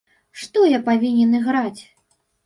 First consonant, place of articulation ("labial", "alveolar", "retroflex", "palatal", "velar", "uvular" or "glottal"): retroflex